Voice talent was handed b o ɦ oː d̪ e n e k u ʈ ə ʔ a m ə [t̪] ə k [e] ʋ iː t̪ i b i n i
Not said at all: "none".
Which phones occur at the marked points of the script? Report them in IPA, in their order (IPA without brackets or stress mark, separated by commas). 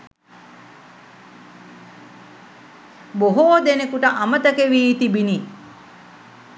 t̪, e